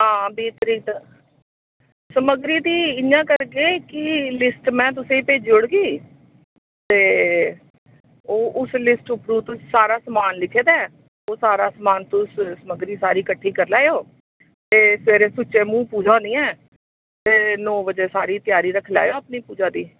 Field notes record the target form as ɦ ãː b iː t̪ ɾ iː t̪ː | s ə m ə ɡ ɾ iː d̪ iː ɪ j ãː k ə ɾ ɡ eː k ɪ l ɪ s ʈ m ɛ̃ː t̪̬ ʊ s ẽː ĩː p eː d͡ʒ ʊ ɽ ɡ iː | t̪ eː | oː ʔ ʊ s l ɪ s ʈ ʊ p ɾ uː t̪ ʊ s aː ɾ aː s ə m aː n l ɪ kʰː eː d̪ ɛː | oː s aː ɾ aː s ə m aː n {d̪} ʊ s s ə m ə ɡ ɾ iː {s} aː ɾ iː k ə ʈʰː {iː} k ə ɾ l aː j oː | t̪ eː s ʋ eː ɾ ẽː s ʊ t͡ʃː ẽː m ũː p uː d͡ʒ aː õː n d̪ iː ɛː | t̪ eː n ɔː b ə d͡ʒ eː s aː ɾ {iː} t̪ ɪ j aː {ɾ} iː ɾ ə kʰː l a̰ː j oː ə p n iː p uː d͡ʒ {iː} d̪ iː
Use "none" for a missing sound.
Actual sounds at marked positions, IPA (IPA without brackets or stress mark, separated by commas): t̪, s, iː, iː, ɾ, aː